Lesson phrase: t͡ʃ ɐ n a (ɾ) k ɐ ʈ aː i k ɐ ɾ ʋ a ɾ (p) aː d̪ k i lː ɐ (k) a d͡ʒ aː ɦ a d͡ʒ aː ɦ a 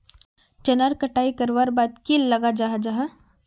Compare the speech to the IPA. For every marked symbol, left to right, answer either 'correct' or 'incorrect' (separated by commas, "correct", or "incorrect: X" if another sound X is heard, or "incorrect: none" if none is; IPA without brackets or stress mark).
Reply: correct, incorrect: b, incorrect: ɡ